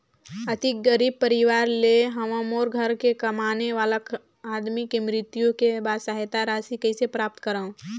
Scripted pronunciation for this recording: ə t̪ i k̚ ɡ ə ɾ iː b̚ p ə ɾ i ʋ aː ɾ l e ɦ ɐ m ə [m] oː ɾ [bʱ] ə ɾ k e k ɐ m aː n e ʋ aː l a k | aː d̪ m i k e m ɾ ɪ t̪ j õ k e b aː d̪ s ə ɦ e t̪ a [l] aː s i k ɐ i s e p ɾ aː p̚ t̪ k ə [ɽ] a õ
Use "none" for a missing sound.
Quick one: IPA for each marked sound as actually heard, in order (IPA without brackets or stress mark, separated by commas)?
m, ɡʱ, ɾ, ɾ